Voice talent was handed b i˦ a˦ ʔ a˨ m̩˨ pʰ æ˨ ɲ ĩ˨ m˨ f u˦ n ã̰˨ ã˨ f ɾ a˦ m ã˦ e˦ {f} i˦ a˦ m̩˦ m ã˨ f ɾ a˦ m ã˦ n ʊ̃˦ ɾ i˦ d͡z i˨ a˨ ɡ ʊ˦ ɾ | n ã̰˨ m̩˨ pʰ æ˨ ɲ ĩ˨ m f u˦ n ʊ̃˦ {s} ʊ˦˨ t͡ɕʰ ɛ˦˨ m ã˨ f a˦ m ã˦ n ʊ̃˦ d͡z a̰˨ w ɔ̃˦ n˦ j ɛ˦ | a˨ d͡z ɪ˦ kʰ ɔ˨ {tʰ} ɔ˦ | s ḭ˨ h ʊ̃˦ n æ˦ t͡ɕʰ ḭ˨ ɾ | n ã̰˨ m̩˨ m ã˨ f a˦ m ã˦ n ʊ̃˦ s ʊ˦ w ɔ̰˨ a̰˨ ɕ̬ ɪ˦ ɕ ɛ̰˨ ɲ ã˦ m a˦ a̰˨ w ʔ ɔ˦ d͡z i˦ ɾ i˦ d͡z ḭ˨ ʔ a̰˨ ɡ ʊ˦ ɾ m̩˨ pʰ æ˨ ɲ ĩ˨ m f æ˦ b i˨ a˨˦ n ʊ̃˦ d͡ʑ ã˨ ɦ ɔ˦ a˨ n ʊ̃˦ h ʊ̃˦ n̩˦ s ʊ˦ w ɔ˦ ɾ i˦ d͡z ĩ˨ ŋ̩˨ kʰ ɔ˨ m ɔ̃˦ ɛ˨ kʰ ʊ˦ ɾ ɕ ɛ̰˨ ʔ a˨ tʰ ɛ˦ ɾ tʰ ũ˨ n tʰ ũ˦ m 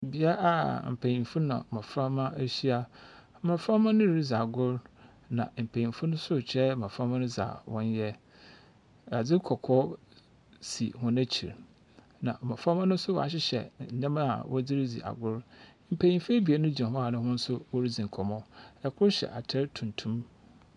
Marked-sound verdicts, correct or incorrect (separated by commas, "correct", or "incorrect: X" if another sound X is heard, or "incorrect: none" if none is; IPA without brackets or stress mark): incorrect: ɕ, correct, incorrect: kʰ